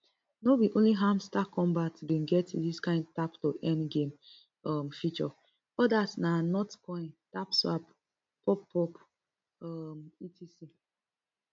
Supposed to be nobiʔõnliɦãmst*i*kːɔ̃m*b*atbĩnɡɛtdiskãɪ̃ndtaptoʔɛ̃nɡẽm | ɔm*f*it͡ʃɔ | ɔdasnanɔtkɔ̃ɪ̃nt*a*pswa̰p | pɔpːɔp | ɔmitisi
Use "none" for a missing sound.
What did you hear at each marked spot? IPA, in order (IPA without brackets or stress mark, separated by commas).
a, b, f, a